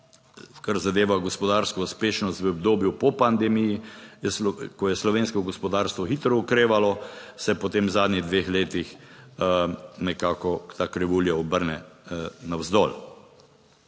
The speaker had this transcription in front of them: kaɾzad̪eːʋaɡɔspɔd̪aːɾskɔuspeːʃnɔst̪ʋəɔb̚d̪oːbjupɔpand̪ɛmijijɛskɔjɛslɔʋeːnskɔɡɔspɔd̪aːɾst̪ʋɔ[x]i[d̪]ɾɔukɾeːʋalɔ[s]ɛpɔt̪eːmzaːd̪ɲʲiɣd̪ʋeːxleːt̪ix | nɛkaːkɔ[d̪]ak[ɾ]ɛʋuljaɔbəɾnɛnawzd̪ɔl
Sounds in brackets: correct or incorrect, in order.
correct, incorrect: t̪, correct, incorrect: t̪, correct

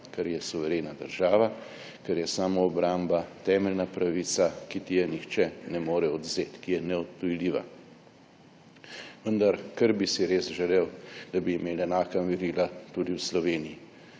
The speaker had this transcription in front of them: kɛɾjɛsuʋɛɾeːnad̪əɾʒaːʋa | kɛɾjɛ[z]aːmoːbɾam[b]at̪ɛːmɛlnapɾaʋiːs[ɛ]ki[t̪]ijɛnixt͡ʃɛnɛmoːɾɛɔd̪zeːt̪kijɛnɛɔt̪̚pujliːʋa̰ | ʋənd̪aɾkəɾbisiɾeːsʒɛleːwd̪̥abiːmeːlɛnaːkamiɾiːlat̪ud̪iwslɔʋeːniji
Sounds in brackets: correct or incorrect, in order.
incorrect: s, correct, incorrect: a, correct

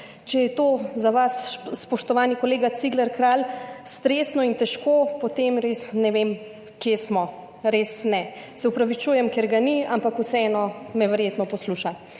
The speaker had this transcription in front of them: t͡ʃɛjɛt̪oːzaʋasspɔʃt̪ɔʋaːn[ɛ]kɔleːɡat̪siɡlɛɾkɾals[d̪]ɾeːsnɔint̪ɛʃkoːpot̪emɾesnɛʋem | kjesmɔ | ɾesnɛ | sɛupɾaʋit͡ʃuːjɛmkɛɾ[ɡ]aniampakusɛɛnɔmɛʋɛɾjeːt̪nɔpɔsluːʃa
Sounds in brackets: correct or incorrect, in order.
incorrect: i, incorrect: t̪, correct

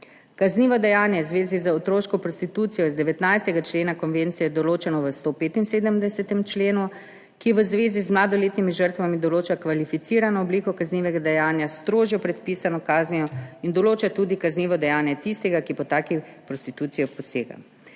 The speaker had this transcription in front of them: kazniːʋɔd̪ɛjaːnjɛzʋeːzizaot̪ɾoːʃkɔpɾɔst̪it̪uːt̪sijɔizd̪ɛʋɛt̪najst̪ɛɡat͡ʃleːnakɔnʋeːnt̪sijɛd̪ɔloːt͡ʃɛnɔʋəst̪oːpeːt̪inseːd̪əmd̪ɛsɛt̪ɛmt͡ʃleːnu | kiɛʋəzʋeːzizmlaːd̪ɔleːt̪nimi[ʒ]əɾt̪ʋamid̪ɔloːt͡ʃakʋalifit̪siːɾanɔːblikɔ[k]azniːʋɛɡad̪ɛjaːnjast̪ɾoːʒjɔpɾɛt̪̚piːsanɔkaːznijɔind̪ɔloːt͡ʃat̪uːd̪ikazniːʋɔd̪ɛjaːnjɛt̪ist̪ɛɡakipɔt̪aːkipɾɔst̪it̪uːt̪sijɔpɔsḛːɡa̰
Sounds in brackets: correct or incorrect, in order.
correct, correct

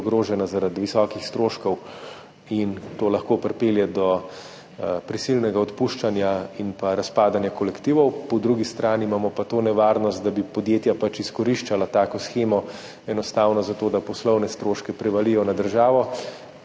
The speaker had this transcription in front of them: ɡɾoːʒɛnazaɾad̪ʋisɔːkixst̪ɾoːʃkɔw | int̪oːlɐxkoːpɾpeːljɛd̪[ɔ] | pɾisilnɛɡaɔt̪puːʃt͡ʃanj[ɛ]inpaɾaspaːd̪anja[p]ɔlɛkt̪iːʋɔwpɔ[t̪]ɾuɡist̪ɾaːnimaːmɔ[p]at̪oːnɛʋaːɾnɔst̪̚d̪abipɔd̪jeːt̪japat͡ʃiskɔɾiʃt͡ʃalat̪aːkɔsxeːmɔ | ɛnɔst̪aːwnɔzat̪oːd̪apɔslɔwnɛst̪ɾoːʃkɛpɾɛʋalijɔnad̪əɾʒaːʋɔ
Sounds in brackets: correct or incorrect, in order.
correct, incorrect: a, incorrect: k, incorrect: d̪, correct

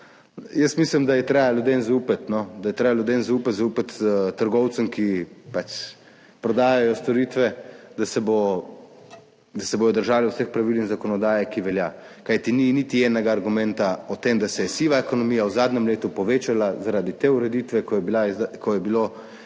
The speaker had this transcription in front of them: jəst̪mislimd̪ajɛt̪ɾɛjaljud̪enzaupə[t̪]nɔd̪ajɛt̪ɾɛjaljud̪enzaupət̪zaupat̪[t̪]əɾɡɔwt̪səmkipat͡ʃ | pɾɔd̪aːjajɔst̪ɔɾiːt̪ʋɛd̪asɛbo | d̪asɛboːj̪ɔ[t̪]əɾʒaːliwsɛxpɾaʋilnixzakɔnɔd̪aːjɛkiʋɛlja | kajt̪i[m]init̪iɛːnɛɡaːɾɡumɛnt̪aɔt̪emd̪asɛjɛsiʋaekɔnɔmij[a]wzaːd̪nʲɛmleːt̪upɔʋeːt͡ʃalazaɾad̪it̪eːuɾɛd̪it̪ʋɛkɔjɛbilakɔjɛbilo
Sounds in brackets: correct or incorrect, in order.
correct, correct, incorrect: d̪, incorrect: n, correct

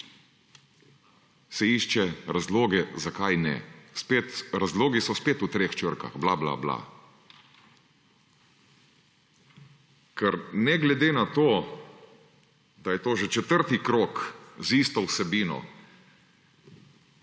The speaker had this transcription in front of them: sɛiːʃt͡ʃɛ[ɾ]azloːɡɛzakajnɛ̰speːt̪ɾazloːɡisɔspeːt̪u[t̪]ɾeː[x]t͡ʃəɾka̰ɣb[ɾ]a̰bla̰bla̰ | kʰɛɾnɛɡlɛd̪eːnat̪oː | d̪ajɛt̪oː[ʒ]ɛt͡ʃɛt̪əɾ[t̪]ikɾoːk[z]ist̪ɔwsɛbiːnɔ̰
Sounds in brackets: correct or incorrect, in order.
correct, correct, correct, incorrect: l, correct, correct, correct

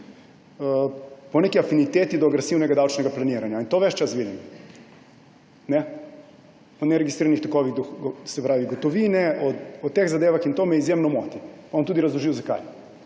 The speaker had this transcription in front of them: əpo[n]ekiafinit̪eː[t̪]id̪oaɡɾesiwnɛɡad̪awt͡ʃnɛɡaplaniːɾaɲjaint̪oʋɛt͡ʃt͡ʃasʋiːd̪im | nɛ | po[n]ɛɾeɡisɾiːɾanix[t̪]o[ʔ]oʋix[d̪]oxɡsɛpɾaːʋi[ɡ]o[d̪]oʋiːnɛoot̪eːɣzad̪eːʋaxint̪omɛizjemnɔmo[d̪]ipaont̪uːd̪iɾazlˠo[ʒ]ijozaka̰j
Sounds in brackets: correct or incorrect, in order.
correct, correct, correct, correct, incorrect: k, correct, correct, incorrect: t̪, incorrect: t̪, correct

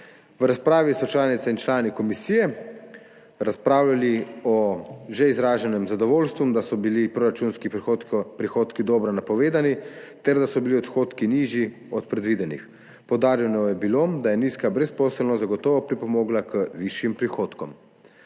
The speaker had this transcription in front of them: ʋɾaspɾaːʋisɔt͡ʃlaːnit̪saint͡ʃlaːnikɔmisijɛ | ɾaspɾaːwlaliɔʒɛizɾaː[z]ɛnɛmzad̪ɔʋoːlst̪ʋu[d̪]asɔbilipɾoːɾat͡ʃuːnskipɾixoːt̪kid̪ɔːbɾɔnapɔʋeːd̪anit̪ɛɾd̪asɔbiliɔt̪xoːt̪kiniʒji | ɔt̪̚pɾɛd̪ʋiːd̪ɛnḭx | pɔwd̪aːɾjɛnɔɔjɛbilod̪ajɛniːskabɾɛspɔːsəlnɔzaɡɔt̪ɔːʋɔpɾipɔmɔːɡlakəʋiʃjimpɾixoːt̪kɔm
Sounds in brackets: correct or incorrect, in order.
incorrect: ʒ, correct

